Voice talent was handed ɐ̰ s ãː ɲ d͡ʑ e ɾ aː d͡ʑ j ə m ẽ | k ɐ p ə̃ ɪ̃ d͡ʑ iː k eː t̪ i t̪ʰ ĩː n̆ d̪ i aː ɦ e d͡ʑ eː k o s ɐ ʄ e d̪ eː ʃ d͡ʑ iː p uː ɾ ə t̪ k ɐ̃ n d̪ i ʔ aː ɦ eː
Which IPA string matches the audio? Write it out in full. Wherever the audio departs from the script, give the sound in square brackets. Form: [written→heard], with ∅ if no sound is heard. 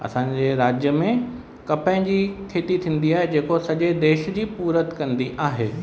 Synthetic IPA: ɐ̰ s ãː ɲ d͡ʑ e ɾ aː d͡ʑ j ə m ẽ | k ɐ p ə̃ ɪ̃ d͡ʑ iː [k→kʰ] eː t̪ i t̪ʰ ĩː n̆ d̪ i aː ɦ e d͡ʑ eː k o s ɐ ʄ e d̪ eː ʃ d͡ʑ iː p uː ɾ ə t̪ k ɐ̃ n d̪ i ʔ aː ɦ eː